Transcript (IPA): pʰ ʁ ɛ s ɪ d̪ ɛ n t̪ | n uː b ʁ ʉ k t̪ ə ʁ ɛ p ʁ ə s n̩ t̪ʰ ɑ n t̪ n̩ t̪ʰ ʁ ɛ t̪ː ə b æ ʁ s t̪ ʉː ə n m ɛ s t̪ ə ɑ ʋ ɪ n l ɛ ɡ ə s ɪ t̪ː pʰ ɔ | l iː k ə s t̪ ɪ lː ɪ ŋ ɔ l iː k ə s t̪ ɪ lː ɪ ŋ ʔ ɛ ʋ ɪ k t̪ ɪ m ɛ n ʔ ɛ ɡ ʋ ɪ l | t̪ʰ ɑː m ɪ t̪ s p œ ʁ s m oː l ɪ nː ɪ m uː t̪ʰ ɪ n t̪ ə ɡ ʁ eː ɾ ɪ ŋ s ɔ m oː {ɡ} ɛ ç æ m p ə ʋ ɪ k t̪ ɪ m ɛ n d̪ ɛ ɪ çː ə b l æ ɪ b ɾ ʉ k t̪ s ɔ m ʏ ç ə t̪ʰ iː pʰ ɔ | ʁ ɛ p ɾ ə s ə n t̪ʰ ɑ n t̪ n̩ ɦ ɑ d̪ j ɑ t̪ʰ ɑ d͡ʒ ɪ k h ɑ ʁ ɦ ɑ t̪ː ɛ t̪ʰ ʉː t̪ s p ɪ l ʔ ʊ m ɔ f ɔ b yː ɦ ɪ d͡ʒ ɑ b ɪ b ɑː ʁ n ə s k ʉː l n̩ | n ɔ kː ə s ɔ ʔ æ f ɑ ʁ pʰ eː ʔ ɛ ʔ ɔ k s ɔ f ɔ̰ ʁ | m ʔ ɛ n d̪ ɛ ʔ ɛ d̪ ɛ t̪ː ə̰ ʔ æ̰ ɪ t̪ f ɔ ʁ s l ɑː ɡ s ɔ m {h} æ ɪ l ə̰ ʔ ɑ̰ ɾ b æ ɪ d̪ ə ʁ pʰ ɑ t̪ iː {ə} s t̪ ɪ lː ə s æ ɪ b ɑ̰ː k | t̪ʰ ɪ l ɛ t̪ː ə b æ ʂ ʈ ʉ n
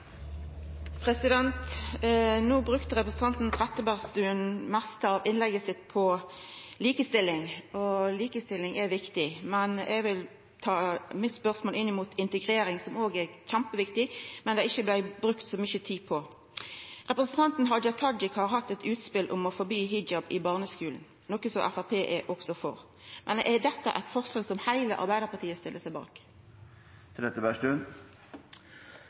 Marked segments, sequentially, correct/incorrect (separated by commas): correct, correct, correct